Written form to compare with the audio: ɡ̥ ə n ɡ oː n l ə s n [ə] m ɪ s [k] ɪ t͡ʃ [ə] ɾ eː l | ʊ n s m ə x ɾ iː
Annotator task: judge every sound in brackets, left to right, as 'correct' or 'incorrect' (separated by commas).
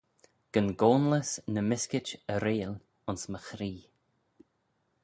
correct, correct, correct